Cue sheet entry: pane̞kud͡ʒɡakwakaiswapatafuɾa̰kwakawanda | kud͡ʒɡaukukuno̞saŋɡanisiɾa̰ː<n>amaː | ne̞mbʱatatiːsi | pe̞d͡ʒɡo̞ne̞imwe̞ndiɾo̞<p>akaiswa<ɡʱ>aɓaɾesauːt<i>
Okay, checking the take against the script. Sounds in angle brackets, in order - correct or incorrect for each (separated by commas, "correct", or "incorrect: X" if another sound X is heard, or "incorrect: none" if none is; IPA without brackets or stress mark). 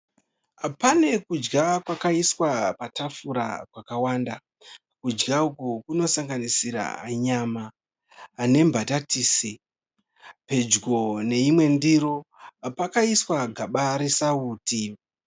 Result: incorrect: ɲ, correct, correct, correct